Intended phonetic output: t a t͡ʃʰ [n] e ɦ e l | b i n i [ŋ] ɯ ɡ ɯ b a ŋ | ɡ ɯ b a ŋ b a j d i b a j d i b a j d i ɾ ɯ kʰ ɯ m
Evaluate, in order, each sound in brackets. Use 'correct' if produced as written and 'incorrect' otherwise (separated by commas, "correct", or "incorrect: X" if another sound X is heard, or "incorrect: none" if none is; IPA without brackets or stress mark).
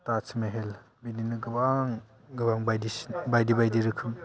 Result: incorrect: m, incorrect: n